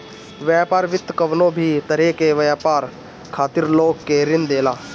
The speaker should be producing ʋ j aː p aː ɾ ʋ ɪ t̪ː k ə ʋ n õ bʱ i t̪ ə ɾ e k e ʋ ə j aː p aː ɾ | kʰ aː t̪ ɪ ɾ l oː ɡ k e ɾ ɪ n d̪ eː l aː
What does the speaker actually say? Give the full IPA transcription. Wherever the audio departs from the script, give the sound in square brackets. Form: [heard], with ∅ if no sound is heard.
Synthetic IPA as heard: ʋ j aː p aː ɾ ʋ ɪ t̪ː k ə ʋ n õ bʱ i t̪ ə ɾ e k e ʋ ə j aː p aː ɾ | kʰ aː t̪ ɪ ɾ l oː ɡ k e ɾ ɪ n d̪ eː l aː